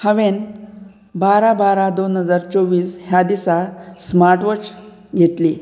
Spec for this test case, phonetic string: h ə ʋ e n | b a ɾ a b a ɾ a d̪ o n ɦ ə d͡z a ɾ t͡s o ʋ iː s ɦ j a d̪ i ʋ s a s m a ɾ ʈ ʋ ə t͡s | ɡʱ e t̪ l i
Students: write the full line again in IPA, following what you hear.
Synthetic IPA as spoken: h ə ʋ e n | b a ɾ a b a ɾ a d̪ o n ɦ ə d͡z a ɾ t͡s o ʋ iː s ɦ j a d̪ i s a s m a ɾ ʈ ʋ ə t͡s | ɡʱ e t̪ l i